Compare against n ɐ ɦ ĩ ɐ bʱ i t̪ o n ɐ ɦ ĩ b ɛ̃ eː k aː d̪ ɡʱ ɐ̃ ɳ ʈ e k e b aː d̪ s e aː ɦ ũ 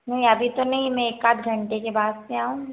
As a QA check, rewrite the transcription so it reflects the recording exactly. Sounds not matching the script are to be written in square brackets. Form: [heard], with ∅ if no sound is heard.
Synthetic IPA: n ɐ ɦ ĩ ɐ bʱ i t̪ o n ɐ ɦ ĩ [m] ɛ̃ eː k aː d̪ ɡʱ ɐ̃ ɳ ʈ e k e b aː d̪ s e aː ɦ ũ